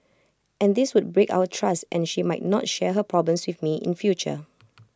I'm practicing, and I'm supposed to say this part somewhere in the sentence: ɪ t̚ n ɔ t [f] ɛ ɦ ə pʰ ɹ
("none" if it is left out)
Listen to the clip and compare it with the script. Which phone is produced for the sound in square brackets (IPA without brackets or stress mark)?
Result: ʃ